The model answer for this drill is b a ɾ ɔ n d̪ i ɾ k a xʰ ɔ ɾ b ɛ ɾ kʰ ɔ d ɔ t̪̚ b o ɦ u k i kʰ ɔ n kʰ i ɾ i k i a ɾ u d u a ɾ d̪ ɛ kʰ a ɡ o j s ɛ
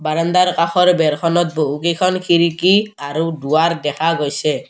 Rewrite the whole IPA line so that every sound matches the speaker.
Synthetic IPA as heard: b a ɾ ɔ n d̪ a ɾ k a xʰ ɔ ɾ b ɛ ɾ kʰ ɔ n ɔ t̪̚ b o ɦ u k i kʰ ɔ n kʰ i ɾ i k i a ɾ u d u a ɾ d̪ ɛ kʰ a ɡ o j s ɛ